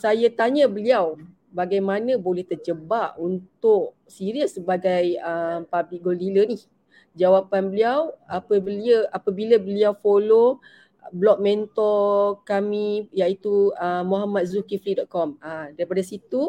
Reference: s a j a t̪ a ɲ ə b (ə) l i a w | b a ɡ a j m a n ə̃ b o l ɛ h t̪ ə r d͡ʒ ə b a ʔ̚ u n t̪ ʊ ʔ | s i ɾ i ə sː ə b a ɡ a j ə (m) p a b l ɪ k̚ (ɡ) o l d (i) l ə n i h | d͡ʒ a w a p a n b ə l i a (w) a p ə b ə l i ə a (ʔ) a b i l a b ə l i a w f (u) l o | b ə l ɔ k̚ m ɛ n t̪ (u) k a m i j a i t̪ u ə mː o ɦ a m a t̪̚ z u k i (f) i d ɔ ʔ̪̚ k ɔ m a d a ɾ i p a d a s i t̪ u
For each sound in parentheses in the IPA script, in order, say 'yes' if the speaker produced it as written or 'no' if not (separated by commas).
yes, yes, yes, yes, yes, no, no, no, yes